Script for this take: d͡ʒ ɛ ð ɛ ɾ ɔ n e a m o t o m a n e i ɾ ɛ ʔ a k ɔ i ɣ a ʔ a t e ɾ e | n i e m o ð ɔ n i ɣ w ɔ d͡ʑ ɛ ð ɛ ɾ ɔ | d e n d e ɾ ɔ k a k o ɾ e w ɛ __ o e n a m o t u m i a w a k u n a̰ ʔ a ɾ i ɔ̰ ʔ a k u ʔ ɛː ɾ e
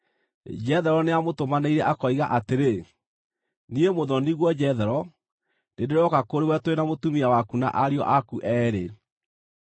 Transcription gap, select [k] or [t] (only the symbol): t